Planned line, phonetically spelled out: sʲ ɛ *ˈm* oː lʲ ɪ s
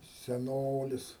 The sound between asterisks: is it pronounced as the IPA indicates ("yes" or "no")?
no